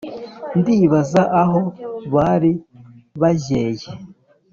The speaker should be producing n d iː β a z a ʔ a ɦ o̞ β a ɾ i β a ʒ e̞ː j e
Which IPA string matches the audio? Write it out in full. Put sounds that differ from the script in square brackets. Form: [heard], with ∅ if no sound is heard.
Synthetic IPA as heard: n d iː β a z a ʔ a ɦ o̞ β a ɾ i β a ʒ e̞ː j e